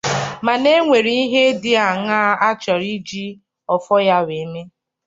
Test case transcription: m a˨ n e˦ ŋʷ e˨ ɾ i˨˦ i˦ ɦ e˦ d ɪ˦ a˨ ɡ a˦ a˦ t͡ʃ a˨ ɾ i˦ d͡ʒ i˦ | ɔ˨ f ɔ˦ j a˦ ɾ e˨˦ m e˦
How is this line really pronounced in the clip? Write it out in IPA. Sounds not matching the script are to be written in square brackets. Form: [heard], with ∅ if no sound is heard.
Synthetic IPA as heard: m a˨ n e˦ ŋʷ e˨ ɾ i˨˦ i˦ ɦ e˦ d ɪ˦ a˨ [ŋ] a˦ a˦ t͡ʃ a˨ ɾ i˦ d͡ʒ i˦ | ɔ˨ f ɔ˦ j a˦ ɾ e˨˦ m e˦